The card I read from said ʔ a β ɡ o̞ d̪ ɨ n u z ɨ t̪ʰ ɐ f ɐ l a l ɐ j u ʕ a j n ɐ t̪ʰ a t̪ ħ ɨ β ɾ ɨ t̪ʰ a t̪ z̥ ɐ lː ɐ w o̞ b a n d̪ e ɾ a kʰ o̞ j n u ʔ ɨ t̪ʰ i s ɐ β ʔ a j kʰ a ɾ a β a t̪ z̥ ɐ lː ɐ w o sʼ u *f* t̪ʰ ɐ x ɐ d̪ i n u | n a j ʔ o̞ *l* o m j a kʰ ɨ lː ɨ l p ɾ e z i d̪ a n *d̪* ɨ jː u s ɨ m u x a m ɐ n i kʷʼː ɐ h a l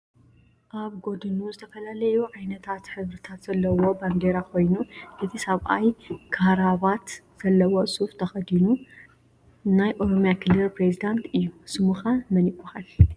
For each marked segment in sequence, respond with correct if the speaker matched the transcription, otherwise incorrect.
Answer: correct, incorrect: ɾ, incorrect: t̪

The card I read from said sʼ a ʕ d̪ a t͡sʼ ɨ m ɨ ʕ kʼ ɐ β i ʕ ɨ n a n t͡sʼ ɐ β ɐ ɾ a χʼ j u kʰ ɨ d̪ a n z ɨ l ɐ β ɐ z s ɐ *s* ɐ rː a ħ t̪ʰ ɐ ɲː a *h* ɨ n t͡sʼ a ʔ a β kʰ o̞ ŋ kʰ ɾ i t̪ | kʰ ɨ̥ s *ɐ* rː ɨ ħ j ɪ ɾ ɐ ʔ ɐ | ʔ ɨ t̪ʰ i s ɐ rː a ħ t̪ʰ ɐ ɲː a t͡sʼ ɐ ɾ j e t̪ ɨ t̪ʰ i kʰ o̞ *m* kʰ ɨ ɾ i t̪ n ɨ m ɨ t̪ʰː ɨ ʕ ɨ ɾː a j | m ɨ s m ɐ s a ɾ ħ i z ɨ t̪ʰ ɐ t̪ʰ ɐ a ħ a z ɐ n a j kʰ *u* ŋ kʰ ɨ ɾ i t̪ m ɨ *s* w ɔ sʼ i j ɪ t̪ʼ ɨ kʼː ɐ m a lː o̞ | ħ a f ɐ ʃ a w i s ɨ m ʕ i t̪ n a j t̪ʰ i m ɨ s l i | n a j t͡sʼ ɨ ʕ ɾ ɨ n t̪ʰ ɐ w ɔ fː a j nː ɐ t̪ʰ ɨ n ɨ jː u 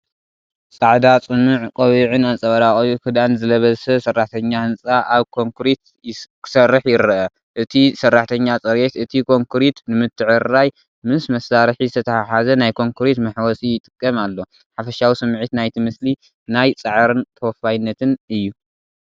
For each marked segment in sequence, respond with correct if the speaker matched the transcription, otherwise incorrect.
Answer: correct, correct, correct, incorrect: ŋ, incorrect: o, incorrect: ħ

